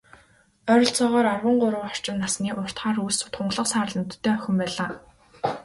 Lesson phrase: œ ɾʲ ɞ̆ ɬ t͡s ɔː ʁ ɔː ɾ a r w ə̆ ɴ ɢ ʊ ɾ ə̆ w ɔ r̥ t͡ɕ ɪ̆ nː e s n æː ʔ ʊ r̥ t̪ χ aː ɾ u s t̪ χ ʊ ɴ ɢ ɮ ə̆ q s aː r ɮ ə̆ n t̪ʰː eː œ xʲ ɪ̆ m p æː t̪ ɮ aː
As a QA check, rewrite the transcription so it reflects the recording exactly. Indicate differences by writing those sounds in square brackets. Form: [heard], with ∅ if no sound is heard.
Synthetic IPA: œ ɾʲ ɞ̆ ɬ t͡s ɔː ʁ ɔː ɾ a r w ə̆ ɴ ɢ ʊ ɾ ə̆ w ɔ r̥ t͡ɕ ɪ̆ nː [a] s n [iː] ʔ ʊ r̥ t̪ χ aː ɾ u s t̪ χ ʊ ɴ ɢ ɮ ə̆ q s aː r ɮ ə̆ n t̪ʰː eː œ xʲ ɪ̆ m p æː [∅] ɮ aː

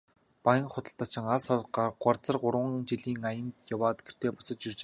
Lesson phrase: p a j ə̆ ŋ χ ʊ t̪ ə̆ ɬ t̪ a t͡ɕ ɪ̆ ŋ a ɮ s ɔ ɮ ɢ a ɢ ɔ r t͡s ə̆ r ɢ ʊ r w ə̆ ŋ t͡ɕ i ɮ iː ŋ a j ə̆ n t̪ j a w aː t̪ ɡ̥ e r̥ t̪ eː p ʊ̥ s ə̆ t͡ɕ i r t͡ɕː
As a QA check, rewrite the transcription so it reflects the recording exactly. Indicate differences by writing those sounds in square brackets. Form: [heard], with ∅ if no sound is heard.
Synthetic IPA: p a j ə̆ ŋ χ ʊ t̪ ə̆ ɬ t̪ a t͡ɕ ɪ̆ ŋ a ɮ s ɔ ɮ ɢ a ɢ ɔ r t͡s ə̆ r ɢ ʊ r w ə̆ ŋ t͡ɕ i ɮ iː ŋ a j ə̆ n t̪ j a w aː t̪ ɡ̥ e r̥ t̪ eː p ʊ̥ s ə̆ t͡ɕ i r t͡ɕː

